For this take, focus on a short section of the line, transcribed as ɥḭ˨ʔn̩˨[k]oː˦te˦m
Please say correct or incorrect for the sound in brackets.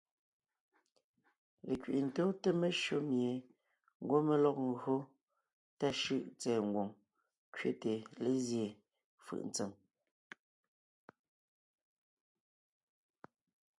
incorrect